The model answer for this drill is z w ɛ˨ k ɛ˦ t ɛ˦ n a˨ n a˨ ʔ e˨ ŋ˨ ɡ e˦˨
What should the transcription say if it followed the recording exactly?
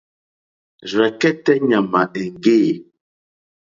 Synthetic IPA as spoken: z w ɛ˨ k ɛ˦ t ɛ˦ ɲ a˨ m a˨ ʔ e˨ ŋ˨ ɡ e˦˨